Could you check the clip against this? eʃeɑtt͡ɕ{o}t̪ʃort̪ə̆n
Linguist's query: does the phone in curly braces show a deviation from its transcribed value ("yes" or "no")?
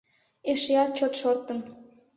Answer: no